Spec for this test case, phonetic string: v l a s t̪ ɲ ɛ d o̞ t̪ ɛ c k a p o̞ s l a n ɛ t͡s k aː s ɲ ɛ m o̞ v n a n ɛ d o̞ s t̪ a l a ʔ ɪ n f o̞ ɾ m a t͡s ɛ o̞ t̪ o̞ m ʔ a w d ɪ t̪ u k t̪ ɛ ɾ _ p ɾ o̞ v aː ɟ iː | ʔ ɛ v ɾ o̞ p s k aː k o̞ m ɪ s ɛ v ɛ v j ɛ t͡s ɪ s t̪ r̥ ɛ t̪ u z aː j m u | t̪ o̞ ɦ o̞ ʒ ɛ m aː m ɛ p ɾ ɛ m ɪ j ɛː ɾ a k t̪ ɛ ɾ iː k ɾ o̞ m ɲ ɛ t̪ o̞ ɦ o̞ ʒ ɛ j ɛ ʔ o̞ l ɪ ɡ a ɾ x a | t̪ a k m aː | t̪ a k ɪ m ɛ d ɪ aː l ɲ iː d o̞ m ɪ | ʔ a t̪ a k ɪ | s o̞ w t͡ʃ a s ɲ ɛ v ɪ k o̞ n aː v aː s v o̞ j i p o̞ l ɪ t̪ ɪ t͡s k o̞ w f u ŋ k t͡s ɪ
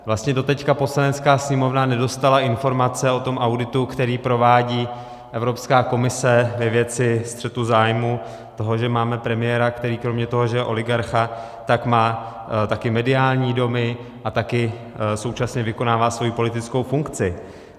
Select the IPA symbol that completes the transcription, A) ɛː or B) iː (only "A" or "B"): B